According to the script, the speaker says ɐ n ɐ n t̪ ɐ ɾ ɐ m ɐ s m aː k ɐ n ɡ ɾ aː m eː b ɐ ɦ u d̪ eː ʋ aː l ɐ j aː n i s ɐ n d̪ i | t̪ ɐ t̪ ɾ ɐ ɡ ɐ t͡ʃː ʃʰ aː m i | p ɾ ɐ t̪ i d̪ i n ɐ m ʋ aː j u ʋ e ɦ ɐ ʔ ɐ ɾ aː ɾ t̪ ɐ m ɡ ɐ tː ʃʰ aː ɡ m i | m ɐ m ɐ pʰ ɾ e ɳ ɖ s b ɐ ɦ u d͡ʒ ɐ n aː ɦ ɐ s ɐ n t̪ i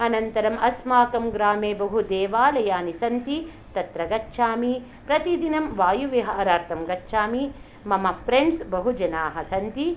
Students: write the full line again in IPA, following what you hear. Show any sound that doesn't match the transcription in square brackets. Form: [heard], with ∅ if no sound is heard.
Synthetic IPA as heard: ɐ n ɐ n t̪ ɐ ɾ ɐ m ɐ s m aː k ɐ [m] ɡ ɾ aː m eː b ɐ ɦ u d̪ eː ʋ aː l ɐ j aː n i s ɐ n [t̪] i | t̪ ɐ t̪ ɾ ɐ ɡ ɐ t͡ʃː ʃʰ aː m i | p ɾ ɐ t̪ i d̪ i n ɐ m ʋ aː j u ʋ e ɦ ɐ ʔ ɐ ɾ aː ɾ t̪ ɐ m ɡ ɐ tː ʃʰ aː [∅] m i | m ɐ m ɐ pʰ ɾ e ɳ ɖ s b ɐ ɦ u d͡ʒ ɐ n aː ɦ ɐ s ɐ n t̪ i